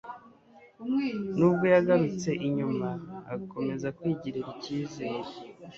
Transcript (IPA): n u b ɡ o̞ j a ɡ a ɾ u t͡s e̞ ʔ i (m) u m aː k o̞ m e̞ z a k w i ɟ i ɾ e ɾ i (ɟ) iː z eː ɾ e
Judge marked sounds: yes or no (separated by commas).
no, no